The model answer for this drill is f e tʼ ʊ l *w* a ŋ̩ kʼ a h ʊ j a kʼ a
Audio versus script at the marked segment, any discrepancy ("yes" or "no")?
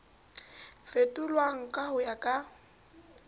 no